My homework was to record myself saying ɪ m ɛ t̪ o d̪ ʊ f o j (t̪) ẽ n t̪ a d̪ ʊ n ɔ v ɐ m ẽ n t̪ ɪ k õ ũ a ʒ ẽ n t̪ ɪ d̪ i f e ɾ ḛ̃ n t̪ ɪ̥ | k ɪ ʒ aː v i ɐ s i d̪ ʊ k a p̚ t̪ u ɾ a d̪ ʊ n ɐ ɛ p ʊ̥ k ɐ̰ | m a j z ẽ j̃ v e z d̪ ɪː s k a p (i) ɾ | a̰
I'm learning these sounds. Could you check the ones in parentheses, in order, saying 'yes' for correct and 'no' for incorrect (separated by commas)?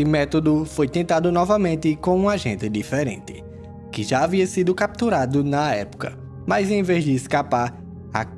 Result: yes, no